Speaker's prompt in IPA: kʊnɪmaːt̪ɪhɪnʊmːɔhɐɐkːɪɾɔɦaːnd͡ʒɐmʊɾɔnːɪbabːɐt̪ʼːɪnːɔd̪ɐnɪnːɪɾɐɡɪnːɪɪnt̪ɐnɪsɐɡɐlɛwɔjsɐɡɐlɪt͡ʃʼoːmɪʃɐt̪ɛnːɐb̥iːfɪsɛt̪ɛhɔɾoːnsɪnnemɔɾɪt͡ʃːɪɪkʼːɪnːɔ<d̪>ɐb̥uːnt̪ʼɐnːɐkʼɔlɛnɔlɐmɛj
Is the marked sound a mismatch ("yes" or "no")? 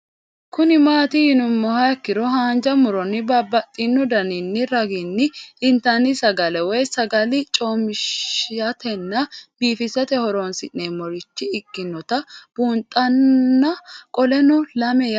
yes